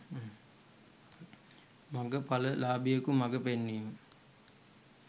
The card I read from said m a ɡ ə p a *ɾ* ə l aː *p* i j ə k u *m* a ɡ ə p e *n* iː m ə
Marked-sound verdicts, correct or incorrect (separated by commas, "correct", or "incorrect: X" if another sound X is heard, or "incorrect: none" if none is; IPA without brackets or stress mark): incorrect: l, incorrect: b, correct, incorrect: nː